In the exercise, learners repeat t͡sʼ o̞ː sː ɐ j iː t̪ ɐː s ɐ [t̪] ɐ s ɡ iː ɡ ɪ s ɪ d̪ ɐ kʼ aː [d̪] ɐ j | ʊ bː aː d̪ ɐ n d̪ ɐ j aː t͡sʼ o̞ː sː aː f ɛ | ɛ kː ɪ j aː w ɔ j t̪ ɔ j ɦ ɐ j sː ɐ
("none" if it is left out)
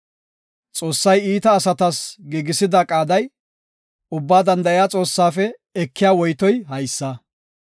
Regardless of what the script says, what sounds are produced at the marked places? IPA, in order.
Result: t̪, d̪

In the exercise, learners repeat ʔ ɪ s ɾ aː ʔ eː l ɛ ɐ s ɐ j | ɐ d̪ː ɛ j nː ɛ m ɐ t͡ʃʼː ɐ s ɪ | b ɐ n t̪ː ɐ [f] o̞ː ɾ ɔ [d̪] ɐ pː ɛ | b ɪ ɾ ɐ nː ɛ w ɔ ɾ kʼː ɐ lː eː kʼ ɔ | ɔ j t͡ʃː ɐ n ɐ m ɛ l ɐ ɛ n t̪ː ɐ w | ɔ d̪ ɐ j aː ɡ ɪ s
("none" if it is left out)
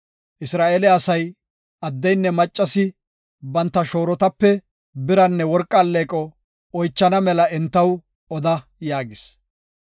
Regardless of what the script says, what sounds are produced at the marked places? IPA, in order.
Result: ʃ, t̪

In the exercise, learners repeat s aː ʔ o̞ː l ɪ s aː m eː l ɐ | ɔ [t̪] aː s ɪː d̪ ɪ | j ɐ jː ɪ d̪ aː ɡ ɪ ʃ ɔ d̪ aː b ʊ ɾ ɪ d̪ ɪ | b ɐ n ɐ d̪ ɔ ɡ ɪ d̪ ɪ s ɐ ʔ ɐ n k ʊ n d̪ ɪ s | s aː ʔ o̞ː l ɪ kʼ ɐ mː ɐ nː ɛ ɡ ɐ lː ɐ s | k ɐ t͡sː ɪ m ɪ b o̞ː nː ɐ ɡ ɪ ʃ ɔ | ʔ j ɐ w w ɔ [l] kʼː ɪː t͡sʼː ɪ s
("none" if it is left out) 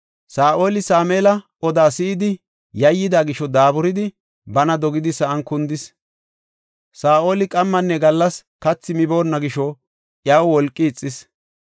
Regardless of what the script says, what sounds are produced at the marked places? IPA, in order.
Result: d̪, l

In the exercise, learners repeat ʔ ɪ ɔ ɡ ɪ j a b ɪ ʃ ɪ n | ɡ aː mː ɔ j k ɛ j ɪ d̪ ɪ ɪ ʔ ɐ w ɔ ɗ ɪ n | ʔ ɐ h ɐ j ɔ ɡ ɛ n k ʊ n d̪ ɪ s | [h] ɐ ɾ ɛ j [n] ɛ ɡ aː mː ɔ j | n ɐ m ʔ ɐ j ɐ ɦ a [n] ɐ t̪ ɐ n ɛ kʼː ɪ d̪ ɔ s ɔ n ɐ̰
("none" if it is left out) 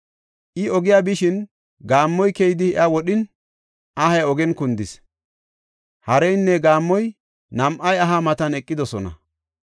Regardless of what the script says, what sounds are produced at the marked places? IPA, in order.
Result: h, nː, m

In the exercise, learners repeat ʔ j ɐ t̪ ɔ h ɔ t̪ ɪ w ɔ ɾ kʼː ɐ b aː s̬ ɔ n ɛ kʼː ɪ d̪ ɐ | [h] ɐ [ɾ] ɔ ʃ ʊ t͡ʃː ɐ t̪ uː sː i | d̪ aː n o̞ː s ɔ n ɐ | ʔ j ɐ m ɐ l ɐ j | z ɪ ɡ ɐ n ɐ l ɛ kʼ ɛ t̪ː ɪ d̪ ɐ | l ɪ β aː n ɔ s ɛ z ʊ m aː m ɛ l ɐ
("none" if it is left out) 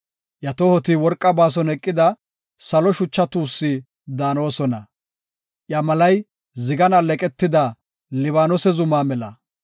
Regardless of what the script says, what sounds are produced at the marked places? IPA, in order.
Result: s, l

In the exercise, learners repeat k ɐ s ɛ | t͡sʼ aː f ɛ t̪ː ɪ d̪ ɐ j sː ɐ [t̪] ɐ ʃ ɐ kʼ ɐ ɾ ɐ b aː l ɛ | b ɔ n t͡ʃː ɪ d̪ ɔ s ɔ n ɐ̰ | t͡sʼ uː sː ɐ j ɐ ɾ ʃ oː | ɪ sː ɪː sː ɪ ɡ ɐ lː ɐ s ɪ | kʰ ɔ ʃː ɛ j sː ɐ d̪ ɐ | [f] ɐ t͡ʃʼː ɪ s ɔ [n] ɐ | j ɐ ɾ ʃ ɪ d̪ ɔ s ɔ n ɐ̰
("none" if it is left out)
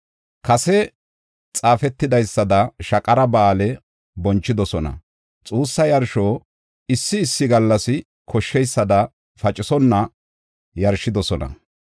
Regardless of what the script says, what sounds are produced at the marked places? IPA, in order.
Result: d̪, f, nː

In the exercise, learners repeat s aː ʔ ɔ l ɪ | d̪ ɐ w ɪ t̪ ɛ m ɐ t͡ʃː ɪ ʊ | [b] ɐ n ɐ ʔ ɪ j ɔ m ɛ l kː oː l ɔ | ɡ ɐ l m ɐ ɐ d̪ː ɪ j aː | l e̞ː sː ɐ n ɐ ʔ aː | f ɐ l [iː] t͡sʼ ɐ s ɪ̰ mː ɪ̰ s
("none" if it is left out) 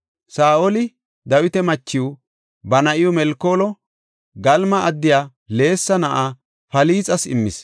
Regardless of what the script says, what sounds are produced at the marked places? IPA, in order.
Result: b, iː

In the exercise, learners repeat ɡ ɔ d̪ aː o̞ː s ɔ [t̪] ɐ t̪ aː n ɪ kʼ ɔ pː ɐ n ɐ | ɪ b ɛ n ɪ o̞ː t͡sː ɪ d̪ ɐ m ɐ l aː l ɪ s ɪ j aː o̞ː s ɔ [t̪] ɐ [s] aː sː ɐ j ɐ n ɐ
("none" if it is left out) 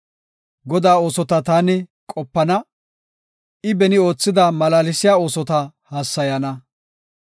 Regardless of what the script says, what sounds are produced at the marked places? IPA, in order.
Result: t̪, t̪, h

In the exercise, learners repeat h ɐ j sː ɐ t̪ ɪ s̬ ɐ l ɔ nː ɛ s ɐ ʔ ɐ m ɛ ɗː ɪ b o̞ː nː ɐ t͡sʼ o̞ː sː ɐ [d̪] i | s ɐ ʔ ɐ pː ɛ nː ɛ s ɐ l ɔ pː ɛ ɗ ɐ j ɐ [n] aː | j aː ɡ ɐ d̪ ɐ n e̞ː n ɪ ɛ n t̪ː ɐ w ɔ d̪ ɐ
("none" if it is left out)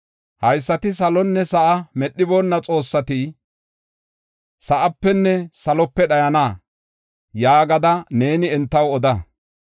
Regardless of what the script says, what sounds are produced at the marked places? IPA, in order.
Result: t̪, n

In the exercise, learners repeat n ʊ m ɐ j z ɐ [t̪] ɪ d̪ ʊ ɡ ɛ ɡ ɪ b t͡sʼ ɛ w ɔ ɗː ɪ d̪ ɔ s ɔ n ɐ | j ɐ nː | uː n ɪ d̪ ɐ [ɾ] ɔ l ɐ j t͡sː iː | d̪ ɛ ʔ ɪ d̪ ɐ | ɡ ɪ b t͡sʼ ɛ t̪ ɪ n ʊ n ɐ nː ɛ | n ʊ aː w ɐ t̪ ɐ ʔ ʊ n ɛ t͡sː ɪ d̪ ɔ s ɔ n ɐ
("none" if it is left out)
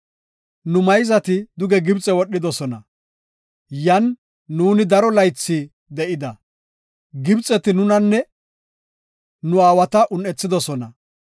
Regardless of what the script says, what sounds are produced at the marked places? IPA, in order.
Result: t̪, ɾ

